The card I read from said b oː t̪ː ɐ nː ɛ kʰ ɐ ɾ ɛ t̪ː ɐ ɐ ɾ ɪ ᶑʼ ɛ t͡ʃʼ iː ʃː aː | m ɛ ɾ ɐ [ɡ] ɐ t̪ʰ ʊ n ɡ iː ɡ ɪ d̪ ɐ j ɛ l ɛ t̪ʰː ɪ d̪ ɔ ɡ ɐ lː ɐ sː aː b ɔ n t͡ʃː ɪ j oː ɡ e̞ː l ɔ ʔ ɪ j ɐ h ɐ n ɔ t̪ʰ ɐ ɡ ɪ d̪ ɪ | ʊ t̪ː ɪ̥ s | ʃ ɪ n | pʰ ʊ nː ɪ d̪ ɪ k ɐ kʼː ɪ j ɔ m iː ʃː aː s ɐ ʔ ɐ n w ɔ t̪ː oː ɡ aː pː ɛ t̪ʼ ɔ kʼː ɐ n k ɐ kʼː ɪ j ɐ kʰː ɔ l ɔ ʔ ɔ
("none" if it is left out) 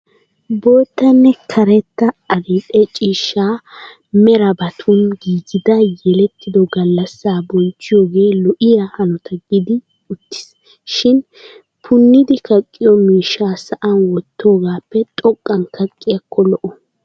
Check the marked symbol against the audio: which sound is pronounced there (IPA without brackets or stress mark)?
b